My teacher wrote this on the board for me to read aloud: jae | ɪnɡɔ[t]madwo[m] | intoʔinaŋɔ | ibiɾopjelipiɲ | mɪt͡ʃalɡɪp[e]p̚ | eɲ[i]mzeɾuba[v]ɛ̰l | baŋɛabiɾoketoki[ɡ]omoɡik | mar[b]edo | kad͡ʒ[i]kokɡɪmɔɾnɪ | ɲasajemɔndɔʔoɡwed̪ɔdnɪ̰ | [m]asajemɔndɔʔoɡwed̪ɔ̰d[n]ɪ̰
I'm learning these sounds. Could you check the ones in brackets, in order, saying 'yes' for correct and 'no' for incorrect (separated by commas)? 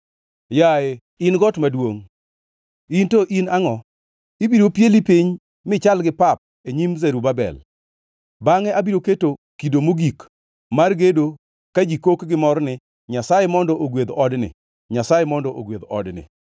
yes, no, no, yes, no, no, no, yes, no, yes